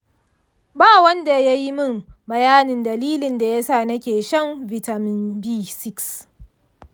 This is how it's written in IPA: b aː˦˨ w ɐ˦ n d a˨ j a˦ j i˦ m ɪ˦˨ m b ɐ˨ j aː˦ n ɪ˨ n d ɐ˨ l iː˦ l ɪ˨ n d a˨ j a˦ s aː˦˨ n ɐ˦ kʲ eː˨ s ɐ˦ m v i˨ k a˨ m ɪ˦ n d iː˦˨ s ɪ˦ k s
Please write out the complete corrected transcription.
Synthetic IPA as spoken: b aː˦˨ w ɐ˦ n d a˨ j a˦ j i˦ m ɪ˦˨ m b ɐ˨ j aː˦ n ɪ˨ n d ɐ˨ l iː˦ l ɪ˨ n d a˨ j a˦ s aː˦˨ n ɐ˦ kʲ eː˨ ʃ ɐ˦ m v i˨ t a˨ m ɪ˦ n b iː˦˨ s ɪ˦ k s